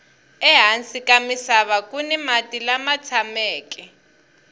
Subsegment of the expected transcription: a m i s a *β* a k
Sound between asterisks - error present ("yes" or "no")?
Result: no